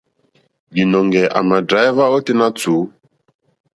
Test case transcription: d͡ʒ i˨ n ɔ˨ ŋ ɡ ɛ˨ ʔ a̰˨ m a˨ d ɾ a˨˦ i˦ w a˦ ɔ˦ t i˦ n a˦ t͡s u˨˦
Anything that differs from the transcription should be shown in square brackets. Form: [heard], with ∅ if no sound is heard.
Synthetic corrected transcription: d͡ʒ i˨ n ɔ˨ ŋ ɡ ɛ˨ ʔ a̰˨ m a˨ d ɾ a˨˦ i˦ [v] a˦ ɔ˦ t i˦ n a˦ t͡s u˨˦